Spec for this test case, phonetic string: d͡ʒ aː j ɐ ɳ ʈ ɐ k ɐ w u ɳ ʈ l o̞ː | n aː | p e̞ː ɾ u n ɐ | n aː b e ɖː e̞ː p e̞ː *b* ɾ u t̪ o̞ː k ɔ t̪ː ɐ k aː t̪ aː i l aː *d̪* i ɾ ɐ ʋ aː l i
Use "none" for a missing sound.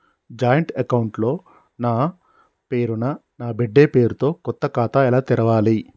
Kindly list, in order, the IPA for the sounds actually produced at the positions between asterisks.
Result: none, t̪

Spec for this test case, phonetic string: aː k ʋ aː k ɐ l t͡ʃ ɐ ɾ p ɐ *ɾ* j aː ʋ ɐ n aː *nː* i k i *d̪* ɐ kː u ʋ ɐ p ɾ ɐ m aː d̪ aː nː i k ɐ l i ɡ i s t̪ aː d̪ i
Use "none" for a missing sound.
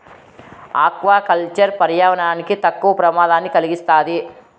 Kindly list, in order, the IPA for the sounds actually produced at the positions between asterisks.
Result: ɾ, n, t̪

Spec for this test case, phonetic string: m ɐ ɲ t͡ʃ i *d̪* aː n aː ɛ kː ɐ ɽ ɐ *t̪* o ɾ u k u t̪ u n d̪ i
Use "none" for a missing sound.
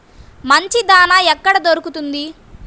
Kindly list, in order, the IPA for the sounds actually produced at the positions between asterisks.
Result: d̪, d̪

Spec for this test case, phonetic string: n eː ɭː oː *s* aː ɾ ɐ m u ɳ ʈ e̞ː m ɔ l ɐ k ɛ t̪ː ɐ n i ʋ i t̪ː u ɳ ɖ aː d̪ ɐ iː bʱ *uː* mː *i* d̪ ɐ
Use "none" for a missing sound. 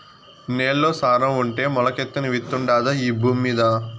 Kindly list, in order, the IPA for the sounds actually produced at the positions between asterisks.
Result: s, uː, iː

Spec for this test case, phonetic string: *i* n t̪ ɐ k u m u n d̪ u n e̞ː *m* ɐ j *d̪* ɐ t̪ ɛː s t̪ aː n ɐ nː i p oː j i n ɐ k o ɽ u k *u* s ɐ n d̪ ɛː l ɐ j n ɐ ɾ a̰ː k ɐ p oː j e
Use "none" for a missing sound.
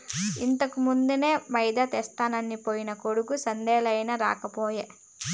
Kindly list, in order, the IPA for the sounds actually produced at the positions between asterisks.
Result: i, m, d̪, u

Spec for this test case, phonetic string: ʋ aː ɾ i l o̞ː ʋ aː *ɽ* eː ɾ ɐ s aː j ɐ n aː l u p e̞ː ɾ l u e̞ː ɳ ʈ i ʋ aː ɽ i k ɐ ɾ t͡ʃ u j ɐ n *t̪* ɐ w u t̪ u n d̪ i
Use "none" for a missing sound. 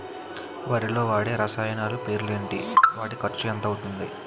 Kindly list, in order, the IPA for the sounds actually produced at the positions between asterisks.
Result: ɽ, t̪

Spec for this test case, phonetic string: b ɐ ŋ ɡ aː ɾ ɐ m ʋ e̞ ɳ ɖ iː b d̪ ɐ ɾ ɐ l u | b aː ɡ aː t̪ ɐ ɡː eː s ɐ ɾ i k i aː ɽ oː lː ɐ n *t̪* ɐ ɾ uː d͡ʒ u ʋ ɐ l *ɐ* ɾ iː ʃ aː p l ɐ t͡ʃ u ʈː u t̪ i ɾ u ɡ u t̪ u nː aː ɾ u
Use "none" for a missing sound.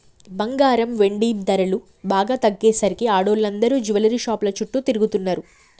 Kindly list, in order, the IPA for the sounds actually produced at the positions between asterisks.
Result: d̪, ɐ

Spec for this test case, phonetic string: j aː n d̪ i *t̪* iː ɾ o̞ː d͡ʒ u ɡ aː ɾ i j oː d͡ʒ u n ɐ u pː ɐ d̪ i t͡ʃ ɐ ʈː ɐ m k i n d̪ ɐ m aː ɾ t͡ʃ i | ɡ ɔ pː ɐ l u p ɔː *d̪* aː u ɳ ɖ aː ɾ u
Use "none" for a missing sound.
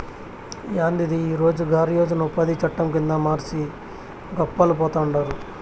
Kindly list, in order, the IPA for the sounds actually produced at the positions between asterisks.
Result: d̪, t̪

